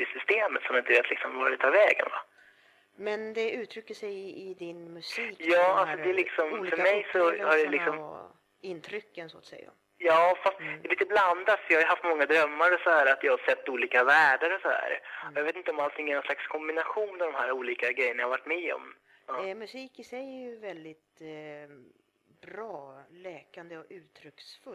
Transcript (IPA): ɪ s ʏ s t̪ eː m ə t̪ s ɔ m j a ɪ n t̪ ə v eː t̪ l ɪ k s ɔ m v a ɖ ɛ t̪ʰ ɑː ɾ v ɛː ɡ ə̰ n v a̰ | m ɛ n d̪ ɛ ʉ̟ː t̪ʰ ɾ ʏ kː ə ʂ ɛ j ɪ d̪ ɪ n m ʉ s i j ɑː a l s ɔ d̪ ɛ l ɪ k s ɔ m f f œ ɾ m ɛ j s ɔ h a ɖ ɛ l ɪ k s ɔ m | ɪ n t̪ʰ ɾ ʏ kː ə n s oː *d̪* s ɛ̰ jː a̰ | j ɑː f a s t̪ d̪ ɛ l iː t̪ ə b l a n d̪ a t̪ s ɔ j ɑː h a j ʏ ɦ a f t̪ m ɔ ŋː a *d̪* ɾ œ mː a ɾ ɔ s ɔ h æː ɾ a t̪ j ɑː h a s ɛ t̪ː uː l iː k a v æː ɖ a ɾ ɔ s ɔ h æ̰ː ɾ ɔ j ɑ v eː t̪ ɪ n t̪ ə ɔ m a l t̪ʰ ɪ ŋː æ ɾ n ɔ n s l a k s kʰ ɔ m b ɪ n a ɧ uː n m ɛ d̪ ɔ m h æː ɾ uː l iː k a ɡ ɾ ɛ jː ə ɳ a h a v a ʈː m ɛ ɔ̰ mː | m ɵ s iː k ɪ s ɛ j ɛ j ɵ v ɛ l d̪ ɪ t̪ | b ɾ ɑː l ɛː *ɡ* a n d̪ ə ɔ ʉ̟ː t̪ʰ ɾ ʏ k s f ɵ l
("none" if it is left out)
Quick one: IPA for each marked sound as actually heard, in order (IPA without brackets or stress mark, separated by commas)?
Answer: t̪, d̪, k